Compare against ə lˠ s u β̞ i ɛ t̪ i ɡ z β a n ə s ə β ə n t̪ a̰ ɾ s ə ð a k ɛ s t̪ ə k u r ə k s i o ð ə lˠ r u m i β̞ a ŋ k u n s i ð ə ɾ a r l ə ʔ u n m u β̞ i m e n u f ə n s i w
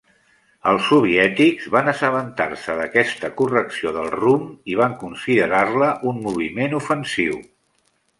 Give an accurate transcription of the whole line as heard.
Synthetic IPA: ə lˠ s u β̞ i ɛ t̪ i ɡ z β a n ə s ə β ə n t̪ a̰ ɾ s ə ð ə k ɛ s t̪ ə k u r ə k s i o ð ə lˠ r u m i β̞ a ŋ k u n s i ð ə ɾ a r l ə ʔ u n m u β̞ i m e n u f ə n s i w